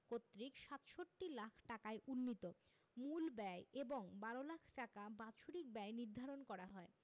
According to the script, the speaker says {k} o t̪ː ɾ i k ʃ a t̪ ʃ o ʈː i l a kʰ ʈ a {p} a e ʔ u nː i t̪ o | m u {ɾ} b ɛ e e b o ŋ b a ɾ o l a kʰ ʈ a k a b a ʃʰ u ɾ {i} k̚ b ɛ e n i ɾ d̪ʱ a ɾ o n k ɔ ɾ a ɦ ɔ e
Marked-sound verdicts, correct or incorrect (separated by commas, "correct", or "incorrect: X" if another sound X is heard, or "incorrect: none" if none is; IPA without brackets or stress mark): correct, incorrect: k, incorrect: l, correct